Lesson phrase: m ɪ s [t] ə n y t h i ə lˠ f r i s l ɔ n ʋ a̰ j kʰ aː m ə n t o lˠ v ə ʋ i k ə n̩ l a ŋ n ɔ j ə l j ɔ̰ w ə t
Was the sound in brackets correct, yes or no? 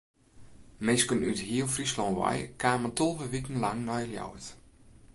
no